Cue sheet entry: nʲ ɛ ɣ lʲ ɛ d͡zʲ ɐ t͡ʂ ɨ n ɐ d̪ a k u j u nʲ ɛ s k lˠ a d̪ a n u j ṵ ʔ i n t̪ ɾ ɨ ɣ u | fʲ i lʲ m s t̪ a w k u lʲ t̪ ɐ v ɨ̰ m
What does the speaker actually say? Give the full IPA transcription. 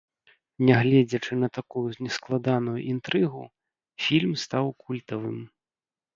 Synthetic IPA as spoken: nʲ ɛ ɣ lʲ ɛ d͡zʲ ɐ t͡ʂ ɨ n ɐ t̪ a k u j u nʲ ɛ s k lˠ a d̪ a n u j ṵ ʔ i n t̪ ɾ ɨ ɣ u | fʲ i lʲ m s t̪ a w k u lʲ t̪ ɐ v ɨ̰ m